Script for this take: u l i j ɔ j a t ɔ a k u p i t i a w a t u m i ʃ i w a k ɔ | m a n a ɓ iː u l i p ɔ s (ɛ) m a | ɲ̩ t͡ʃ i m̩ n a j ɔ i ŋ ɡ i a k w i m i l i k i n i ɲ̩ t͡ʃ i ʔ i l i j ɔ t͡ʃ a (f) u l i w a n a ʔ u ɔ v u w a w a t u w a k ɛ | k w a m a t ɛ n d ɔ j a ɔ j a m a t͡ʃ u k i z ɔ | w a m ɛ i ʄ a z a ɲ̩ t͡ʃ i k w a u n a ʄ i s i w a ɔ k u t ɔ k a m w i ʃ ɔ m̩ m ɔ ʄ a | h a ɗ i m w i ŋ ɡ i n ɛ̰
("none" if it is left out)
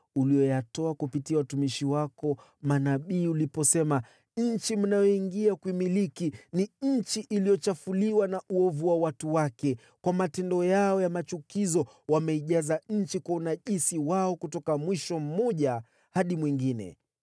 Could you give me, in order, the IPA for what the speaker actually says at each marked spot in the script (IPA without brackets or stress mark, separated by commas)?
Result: ɛ, f